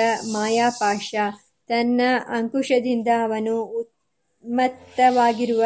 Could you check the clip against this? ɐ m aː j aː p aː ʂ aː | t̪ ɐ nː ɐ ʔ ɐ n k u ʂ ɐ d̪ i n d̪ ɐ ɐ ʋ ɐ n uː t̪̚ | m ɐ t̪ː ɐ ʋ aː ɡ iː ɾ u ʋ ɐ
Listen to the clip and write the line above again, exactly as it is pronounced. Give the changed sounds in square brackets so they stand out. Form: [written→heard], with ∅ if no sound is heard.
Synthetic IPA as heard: ɐ m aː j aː p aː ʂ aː | t̪ ɐ nː ɐ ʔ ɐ [n→ŋ] k u ʂ ɐ d̪ i n d̪ ɐ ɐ ʋ ɐ n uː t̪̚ | m ɐ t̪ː ɐ ʋ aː ɡ [iː→i] ɾ u ʋ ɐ